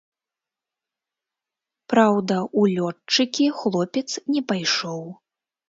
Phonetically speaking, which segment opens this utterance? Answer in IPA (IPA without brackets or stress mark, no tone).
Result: p